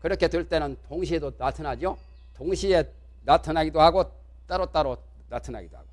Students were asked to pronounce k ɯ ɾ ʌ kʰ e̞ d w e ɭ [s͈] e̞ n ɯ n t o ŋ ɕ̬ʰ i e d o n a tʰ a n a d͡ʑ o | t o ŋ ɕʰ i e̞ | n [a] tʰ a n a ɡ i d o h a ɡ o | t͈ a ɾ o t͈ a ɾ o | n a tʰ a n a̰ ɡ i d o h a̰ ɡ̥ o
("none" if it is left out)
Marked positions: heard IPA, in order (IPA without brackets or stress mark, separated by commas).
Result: t͈, a